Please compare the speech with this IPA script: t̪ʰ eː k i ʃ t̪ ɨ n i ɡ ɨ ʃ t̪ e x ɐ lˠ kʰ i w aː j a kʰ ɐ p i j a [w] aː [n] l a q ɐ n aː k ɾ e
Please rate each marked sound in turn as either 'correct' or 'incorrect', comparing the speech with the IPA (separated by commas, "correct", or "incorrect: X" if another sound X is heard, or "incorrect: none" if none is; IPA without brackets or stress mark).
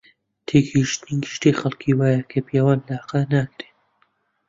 correct, correct